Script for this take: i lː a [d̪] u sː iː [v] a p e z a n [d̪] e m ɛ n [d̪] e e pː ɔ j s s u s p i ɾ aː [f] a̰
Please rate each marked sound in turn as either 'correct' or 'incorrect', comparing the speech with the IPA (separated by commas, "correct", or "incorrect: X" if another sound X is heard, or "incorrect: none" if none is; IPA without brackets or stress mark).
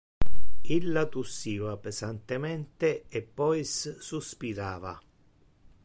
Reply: incorrect: t̪, correct, incorrect: t̪, incorrect: t̪, incorrect: v